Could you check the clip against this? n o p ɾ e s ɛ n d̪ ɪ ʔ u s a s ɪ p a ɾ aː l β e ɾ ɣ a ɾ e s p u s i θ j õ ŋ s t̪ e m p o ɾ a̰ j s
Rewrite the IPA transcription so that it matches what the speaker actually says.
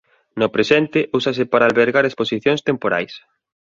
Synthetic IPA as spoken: n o p ɾ e s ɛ n t̪ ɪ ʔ u s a s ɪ p a ɾ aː l β e ɾ ɣ a ɾ e s p o s i θ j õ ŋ s t̪ e m p o ɾ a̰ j s